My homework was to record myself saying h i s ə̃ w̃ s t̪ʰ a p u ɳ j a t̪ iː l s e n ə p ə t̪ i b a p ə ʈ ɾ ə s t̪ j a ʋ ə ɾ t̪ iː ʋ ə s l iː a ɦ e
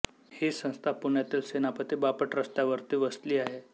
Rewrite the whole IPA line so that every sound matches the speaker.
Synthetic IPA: h i s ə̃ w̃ s t̪ʰ a p u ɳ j a t̪ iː l s e n a p ə t̪ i b a p ə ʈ ɾ ə s t̪ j a ʋ ə ɾ t̪ iː ʋ ə s l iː a ɦ e